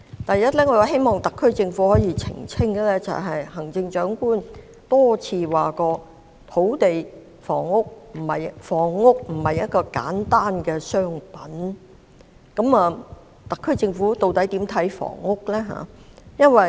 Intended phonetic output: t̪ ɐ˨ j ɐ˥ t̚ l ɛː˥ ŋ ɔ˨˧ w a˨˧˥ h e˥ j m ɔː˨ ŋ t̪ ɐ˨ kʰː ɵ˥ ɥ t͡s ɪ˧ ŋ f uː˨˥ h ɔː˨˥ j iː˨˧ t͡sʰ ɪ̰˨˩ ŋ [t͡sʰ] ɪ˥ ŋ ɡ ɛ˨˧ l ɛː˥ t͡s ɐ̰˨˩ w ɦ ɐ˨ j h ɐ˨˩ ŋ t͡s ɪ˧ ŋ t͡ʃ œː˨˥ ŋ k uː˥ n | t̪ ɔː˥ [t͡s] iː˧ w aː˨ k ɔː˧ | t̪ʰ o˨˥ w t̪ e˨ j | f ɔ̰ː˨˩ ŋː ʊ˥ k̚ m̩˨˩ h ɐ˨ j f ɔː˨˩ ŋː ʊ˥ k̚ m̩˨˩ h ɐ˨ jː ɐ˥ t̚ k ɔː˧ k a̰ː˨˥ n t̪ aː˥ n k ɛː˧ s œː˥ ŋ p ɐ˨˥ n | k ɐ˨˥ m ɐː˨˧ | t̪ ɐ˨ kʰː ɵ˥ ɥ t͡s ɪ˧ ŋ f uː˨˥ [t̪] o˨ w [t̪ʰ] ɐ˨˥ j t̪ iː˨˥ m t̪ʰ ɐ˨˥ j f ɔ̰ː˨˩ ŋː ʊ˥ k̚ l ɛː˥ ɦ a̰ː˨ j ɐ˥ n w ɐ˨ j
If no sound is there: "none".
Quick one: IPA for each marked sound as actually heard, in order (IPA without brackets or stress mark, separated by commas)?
t͡sʰ, t͡sʰ, t̪, t̪